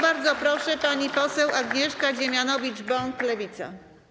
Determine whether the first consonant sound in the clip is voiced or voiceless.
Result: voiced